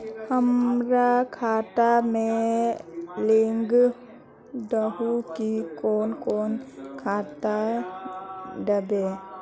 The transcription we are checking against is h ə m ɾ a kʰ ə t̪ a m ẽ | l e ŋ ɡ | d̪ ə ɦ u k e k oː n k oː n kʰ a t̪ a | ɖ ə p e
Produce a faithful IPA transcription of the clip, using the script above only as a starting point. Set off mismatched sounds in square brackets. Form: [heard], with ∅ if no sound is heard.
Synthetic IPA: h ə m ɾ a kʰ [a] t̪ a m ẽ | l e ŋ ɡ | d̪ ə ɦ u k [i] k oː n k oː n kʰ a t̪ a | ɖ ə [b] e